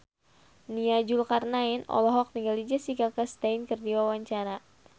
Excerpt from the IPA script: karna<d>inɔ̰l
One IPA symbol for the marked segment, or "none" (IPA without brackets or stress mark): none